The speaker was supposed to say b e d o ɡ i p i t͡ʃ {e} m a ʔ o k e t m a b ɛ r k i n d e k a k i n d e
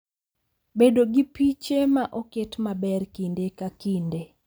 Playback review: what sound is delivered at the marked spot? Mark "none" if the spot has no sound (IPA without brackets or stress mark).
e